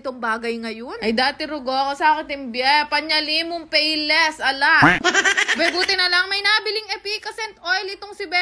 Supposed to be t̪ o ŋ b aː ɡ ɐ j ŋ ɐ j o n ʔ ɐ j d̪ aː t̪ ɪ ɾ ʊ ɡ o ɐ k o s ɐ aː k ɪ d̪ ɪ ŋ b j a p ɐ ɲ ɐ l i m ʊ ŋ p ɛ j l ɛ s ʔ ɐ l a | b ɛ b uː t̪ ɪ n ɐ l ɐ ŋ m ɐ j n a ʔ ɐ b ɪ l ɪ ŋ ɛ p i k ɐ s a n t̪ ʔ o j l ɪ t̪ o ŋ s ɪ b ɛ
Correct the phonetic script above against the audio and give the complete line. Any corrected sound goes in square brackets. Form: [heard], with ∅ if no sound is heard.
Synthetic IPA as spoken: t̪ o ŋ b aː ɡ ɐ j ŋ ɐ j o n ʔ ɐ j d̪ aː t̪ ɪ ɾ ʊ ɡ o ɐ k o s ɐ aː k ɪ [t̪] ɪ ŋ b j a p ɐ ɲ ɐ l i m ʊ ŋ p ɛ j l ɛ s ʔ ɐ l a | b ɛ b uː t̪ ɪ n ɐ l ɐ ŋ m ɐ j n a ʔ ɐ b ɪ l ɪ ŋ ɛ p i k ɐ s [ɛ] n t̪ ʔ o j l ɪ t̪ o ŋ s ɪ b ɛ